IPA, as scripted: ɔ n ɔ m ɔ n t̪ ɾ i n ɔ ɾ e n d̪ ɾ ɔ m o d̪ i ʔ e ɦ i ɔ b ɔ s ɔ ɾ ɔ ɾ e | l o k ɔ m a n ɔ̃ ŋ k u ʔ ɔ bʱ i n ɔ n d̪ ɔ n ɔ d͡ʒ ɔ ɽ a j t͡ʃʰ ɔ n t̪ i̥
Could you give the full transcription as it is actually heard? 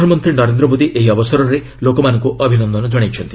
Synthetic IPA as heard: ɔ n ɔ m ɔ n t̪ ɾ i n ɔ ɾ e n d̪ ɾ ɔ m o d̪ i ʔ e ɦ i ɔ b ɔ s ɔ ɾ ɔ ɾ e | l o k ɔ m a n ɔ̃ ŋ k u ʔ ɔ bʱ i n ɔ n d̪ ɔ n ɔ d͡ʒ ɔ ɽ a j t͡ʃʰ ɔ n t̪ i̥